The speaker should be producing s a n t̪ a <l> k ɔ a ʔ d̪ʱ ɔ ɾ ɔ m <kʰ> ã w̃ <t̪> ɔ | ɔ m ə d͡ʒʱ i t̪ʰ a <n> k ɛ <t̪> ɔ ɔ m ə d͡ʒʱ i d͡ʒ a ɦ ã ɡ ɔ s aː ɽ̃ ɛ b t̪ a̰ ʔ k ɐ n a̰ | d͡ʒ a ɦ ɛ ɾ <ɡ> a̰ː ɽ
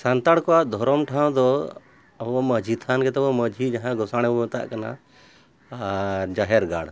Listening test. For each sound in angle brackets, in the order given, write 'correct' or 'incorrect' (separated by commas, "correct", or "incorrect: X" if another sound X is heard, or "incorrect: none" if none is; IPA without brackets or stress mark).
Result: incorrect: ɽ, incorrect: ʈʰ, incorrect: d̪, correct, correct, correct